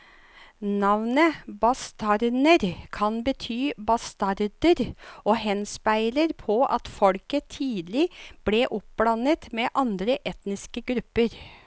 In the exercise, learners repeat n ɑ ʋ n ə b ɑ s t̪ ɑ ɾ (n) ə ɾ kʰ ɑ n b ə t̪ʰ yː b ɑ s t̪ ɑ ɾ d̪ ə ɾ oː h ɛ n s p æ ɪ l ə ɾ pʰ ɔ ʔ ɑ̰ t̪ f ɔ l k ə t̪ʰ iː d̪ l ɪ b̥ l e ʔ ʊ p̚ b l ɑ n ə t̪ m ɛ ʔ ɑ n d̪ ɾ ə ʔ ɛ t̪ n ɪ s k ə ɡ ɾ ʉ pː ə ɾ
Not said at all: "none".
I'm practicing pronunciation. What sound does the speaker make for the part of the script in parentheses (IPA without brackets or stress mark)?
n